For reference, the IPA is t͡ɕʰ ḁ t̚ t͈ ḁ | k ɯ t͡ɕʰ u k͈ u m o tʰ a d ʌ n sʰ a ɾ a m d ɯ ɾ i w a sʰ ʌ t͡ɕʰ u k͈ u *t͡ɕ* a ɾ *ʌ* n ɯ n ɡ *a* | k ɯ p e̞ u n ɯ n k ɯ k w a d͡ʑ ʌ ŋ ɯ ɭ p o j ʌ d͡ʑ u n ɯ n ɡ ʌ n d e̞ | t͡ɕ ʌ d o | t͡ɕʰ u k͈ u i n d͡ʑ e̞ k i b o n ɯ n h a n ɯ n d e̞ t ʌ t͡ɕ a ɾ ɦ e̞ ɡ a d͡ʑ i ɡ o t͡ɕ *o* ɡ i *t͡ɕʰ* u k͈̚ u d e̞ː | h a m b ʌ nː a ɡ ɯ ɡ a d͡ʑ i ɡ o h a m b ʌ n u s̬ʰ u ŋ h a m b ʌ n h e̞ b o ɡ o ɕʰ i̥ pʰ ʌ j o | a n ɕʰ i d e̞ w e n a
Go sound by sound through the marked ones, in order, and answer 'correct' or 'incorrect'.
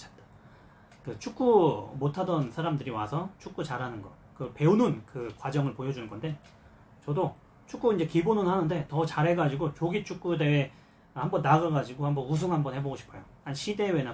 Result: correct, incorrect, incorrect, correct, correct

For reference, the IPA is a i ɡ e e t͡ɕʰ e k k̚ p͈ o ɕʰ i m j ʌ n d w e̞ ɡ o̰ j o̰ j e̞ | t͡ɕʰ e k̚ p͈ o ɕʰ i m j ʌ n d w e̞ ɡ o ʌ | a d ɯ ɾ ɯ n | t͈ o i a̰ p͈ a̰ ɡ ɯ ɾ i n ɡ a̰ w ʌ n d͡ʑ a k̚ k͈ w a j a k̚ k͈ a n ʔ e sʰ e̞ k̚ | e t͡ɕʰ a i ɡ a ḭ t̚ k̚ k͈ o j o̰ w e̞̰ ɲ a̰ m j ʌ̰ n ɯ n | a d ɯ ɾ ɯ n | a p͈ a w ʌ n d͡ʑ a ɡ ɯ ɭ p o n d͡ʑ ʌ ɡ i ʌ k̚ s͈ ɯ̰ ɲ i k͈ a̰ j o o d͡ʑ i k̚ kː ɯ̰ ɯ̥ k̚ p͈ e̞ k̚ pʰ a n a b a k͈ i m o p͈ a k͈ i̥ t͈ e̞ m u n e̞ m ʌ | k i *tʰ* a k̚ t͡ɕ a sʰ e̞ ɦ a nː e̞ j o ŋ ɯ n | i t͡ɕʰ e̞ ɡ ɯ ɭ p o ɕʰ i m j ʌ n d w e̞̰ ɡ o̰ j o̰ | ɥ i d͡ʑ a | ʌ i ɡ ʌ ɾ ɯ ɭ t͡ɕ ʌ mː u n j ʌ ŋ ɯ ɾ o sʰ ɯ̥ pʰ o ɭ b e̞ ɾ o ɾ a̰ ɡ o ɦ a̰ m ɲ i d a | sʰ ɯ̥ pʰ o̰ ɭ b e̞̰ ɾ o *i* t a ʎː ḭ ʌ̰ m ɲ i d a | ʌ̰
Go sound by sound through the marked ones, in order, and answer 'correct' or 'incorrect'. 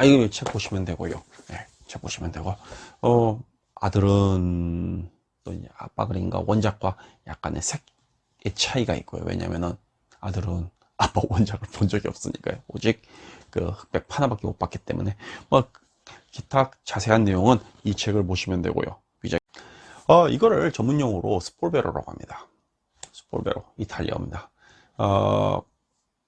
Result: correct, correct

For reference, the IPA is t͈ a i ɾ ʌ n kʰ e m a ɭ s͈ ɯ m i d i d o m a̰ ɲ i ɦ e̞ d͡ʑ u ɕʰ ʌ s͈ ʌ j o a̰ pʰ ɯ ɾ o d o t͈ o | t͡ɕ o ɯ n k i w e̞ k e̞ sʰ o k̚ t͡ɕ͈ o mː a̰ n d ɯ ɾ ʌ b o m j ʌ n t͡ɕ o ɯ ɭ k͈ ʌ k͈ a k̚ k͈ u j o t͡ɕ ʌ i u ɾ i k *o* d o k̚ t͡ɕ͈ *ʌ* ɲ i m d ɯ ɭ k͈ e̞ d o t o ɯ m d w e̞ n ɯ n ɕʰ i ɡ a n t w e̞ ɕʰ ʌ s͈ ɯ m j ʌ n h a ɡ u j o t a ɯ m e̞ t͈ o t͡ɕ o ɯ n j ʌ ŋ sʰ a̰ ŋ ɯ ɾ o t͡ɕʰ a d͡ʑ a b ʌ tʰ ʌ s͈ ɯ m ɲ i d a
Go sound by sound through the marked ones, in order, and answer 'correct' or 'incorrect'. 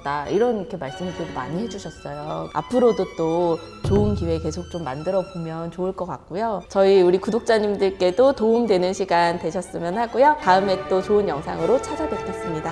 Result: incorrect, incorrect

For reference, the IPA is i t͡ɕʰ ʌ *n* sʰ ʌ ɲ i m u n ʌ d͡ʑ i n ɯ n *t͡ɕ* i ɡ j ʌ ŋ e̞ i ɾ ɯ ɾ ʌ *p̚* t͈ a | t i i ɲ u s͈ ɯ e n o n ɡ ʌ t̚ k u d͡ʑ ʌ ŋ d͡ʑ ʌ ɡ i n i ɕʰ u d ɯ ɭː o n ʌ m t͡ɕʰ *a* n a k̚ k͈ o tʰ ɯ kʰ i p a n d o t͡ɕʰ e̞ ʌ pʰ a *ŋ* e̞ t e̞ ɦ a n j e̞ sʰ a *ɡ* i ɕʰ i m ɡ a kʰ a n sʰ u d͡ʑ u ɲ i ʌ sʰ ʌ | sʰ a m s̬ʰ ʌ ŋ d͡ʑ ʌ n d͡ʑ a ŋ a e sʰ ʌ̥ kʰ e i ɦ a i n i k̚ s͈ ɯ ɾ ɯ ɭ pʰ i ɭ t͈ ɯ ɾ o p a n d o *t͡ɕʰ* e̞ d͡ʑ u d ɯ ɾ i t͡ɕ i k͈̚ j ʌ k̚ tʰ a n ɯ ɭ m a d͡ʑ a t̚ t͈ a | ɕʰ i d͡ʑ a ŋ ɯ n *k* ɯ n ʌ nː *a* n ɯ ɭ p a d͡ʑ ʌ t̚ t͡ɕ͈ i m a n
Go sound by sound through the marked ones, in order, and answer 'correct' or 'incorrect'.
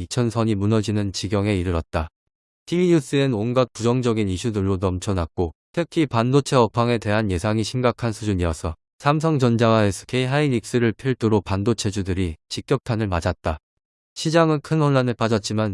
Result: correct, correct, incorrect, incorrect, correct, incorrect, correct, incorrect, correct

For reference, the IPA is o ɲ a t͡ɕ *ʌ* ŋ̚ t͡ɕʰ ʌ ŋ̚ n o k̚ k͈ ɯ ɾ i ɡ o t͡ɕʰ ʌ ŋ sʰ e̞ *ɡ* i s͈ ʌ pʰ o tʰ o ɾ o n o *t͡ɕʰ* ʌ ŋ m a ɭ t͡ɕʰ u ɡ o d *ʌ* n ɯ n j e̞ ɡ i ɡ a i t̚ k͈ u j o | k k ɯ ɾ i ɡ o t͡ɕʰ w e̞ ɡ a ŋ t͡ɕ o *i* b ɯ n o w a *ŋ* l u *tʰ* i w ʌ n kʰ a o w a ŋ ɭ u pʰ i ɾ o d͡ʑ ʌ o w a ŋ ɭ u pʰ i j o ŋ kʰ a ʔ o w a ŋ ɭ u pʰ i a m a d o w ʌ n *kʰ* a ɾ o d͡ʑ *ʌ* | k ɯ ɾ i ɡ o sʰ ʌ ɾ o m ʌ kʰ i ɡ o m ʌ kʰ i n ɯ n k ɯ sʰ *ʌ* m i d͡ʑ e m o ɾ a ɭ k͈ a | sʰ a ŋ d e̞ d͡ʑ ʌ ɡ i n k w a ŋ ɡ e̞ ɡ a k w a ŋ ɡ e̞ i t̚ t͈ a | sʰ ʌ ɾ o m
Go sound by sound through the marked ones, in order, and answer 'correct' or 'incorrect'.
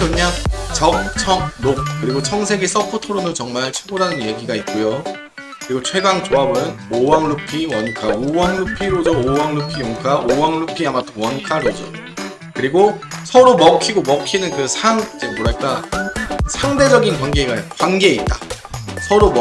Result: correct, correct, incorrect, incorrect, incorrect, correct, incorrect, correct, correct, incorrect

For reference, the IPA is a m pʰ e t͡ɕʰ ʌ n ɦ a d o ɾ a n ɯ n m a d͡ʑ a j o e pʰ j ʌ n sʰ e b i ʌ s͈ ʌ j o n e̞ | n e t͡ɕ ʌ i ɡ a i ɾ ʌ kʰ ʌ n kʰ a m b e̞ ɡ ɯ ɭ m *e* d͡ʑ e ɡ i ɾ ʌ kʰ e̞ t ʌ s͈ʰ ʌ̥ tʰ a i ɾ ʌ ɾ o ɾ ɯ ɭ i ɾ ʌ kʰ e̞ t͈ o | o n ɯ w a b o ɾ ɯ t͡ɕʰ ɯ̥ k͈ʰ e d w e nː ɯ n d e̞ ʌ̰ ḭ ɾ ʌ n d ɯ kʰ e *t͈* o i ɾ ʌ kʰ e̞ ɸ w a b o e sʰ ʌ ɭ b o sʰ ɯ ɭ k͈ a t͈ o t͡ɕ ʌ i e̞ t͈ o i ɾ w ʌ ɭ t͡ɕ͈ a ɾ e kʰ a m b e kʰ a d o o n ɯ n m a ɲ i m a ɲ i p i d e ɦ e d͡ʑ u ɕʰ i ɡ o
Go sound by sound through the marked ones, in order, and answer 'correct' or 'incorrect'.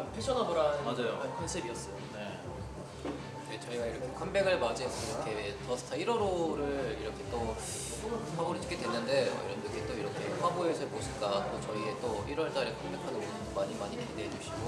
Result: incorrect, correct

